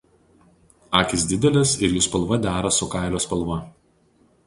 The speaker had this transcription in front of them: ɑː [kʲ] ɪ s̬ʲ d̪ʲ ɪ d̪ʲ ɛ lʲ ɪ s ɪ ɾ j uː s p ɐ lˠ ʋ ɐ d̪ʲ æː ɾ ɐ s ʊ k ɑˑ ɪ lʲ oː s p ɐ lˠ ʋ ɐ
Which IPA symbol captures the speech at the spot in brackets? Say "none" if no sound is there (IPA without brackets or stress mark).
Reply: kʲ